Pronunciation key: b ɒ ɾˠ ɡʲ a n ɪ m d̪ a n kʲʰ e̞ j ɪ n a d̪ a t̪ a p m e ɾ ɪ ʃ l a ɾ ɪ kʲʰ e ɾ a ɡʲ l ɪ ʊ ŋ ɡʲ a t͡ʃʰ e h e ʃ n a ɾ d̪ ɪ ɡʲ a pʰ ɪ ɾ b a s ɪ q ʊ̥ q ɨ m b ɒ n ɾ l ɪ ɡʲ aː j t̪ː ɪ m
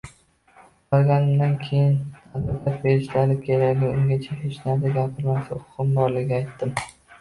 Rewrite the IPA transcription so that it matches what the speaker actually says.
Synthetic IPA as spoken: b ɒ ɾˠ ɡʲ a n ɪ m d̪ a n kʲʰ e̞ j ɪ n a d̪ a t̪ a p b e ɾ ɪ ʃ l a ɾ ɪ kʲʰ e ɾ a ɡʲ l ɪ ʊ ŋ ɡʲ a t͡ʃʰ a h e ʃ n a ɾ d̪ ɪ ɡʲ a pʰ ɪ ɾ m a s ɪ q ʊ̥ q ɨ m b ɒ ɾ l ɪ ɡʲ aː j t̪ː ɪ m